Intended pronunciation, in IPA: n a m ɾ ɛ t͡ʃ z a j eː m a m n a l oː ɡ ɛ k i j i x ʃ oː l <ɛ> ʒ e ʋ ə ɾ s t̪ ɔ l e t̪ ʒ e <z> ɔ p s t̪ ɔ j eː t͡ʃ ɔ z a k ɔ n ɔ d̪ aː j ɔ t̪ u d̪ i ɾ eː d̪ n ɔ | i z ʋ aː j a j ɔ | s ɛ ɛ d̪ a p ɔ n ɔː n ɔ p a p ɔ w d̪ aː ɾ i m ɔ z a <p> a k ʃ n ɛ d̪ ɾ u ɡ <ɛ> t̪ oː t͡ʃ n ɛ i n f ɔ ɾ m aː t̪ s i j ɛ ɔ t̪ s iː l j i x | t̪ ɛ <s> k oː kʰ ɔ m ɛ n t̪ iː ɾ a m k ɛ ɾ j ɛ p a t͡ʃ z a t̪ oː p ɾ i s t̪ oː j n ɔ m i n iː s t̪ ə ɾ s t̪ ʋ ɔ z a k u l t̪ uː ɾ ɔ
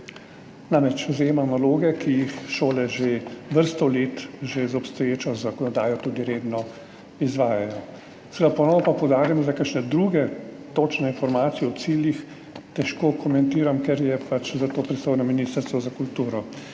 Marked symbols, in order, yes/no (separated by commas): yes, yes, no, yes, no